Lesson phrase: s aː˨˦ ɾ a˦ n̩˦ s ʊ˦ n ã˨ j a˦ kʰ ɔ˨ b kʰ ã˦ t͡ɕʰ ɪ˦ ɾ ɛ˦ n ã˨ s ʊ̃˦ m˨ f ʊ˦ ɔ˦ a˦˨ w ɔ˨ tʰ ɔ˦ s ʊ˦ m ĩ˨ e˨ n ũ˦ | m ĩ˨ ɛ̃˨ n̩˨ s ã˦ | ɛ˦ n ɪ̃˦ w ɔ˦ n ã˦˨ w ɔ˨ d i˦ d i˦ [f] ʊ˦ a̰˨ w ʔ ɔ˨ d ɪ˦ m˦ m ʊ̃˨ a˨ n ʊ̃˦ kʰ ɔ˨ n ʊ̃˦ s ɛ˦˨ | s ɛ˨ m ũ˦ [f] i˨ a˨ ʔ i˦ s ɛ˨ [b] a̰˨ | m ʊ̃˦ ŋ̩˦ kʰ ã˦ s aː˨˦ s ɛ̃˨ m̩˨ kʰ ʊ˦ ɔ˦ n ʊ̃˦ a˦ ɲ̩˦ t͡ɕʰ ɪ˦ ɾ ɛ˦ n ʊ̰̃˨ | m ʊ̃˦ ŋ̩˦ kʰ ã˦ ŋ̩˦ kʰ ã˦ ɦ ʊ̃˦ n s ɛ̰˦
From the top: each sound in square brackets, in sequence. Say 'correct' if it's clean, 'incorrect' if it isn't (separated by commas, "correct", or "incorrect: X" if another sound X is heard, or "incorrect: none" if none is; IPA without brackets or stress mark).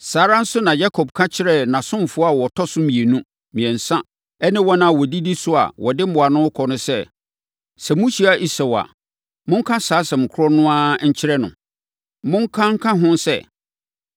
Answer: incorrect: s, incorrect: ɕ, incorrect: w